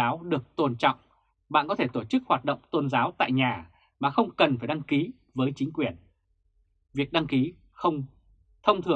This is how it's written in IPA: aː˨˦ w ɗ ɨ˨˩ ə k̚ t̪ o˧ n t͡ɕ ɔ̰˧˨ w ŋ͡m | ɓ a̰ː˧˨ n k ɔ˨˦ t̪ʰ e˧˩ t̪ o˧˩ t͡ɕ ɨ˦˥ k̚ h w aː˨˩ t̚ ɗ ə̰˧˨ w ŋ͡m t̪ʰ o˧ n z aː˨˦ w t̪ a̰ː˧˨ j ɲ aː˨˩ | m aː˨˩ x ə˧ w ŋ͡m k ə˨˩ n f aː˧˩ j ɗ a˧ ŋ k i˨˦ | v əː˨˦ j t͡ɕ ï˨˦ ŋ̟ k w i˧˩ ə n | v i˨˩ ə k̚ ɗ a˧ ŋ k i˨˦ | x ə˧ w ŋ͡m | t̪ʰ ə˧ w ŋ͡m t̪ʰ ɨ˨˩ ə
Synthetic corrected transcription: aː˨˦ w ɗ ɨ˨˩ ə k̚ t̪ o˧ n t͡ɕ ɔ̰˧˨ w ŋ͡m | ɓ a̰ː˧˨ n k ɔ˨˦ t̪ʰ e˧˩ t̪ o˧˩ t͡ɕ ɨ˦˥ k̚ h w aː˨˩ t̚ ɗ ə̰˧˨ w ŋ͡m t̪ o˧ n z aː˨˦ w t̪ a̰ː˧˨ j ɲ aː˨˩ | m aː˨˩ x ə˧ w ŋ͡m k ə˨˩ n f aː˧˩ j ɗ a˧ ŋ k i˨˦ | v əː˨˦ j t͡ɕ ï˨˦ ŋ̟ k w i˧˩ ə n | v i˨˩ ə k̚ ɗ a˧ ŋ k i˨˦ | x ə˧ w ŋ͡m | t̪ʰ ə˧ w ŋ͡m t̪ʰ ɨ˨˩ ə